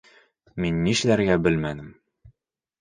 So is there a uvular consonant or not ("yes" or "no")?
no